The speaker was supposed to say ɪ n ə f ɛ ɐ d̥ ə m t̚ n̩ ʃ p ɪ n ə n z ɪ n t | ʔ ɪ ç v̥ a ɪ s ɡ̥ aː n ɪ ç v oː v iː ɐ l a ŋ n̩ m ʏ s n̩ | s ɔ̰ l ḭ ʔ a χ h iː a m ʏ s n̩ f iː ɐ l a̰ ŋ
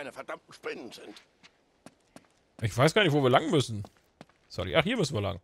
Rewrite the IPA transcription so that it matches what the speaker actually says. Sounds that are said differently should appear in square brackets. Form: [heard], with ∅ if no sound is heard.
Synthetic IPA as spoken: ɪ n ə f ɛ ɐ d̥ [a] m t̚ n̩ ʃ p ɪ n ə n z ɪ n t | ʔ ɪ ç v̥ a ɪ s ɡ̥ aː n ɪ ç v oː v iː ɐ l a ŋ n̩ m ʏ s n̩ | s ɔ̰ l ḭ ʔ a χ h iː [ɐ] m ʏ s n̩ [v] iː ɐ l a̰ ŋ